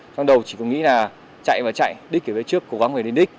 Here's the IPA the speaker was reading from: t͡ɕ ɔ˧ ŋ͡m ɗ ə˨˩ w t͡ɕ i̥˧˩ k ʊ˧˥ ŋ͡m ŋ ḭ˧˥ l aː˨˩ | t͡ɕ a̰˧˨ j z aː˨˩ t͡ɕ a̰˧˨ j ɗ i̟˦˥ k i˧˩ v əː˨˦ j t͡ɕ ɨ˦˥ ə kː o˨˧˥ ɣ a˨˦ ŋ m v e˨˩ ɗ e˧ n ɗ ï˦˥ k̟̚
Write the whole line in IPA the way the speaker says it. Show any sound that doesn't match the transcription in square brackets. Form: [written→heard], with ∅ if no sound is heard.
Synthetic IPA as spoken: t͡ɕ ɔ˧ ŋ͡m ɗ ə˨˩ w t͡ɕ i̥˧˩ k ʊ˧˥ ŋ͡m ŋ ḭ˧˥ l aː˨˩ | t͡ɕ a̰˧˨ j [z→v] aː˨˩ t͡ɕ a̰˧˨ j ɗ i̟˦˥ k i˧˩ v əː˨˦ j t͡ɕ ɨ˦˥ ə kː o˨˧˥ ɣ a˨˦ ŋ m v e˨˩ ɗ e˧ n ɗ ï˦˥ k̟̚